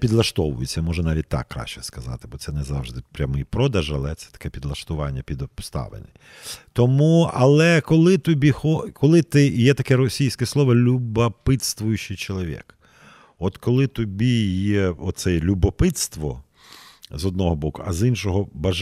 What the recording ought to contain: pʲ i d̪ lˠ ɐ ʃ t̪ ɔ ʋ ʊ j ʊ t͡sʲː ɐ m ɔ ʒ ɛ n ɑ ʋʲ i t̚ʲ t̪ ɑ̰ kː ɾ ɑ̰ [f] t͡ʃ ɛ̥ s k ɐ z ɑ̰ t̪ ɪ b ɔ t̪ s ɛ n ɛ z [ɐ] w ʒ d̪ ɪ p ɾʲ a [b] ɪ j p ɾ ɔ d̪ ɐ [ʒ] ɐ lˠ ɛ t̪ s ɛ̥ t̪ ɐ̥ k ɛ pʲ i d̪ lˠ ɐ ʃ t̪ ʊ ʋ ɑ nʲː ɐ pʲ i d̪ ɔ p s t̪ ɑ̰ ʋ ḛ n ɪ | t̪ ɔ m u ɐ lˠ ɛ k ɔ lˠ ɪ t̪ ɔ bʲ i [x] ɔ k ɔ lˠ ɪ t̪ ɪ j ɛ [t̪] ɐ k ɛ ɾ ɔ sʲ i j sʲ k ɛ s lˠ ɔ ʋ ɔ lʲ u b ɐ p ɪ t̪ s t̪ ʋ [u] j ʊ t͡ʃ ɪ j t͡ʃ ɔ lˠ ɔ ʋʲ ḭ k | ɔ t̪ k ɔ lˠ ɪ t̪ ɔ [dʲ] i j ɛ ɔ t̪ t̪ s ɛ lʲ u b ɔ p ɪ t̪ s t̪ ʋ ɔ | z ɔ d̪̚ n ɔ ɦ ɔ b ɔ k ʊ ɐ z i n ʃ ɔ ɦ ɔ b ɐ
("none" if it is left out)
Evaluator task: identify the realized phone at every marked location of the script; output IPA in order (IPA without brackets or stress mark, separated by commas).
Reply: ʃ, ɑ, m, ʒ, x, t̪, ʊ, bʲ